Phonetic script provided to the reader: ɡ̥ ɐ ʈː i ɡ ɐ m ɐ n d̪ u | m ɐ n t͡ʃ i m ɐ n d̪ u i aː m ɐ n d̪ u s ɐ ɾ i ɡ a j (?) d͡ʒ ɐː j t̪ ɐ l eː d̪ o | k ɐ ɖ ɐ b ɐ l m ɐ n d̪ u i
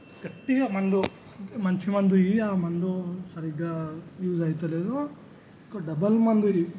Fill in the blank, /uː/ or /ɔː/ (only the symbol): uː